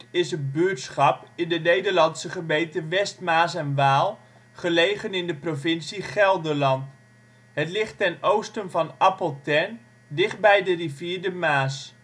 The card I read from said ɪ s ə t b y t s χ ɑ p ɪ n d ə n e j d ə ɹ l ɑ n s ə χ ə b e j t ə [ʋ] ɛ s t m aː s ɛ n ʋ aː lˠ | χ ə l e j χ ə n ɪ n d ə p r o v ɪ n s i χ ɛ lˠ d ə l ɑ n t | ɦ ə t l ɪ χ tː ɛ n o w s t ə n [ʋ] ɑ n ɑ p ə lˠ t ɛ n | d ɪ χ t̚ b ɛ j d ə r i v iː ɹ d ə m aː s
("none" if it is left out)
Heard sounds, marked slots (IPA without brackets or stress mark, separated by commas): ʋ, v